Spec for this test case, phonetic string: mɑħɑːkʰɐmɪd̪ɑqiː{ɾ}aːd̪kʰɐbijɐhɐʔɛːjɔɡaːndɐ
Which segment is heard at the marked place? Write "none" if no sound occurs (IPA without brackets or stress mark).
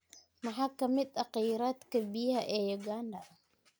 ɾ